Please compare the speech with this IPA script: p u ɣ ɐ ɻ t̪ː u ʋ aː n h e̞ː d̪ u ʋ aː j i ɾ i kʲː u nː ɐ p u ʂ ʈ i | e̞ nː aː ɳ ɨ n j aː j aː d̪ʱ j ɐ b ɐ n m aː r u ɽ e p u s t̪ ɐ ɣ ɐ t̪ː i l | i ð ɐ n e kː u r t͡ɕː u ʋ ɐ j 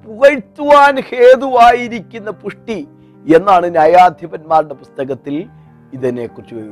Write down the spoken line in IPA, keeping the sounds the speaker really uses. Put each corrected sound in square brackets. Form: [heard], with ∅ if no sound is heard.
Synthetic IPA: p u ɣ ɐ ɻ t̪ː u ʋ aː n h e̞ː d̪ u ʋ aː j i ɾ i kʲː u nː ɐ p u ʂ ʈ i | e̞ nː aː ɳ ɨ n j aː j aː d̪ʱ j ɐ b ɐ n m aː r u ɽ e p u s t̪ ɐ ɣ ɐ t̪ː i l | i ð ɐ n e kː u r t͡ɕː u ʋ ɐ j